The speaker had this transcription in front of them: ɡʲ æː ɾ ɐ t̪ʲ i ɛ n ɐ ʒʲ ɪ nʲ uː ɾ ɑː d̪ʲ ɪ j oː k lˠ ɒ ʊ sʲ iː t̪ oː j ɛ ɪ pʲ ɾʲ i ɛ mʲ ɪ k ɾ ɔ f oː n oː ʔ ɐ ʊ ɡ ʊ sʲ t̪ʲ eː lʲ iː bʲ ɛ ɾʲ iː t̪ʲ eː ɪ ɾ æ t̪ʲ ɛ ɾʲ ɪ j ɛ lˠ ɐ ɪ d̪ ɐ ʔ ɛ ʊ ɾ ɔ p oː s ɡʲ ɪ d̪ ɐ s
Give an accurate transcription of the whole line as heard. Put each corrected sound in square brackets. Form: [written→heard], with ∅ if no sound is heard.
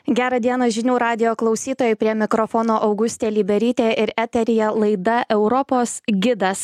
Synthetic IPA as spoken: ɡʲ æː ɾ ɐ [t̪ʲ→d̪ʲ] i ɛ n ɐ ʒʲ ɪ nʲ uː ɾ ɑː d̪ʲ ɪ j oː k lˠ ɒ ʊ sʲ iː t̪ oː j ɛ ɪ pʲ ɾʲ i ɛ mʲ ɪ k ɾ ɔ f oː n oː ʔ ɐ ʊ ɡ ʊ sʲ t̪ʲ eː lʲ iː bʲ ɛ ɾʲ iː t̪ʲ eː ɪ ɾ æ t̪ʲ ɛ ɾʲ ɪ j ɛ lˠ ɐ ɪ d̪ ɐ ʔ ɛ ʊ ɾ ɔ p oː s ɡʲ ɪ d̪ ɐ s